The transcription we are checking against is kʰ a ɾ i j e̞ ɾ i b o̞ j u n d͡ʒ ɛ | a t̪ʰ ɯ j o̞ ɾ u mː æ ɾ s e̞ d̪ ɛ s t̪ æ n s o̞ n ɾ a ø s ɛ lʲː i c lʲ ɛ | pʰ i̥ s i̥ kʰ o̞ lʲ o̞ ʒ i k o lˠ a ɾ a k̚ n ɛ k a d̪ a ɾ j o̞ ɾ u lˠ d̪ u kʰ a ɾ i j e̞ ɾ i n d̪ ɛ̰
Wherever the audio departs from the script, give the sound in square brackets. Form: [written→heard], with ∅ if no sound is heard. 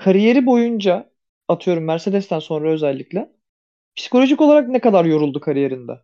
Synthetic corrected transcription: kʰ a ɾ i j e̞ ɾ i b o̞ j u n d͡ʒ [ɛ→a] | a t̪ʰ ɯ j o̞ ɾ u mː æ ɾ s e̞ d̪ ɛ s t̪ æ n s o̞ n ɾ a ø [s→z] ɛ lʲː i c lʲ ɛ | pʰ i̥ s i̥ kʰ o̞ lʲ o̞ ʒ i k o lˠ a ɾ a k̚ n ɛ k a d̪ a ɾ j o̞ ɾ u lˠ d̪ u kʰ a ɾ i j e̞ ɾ i n d̪ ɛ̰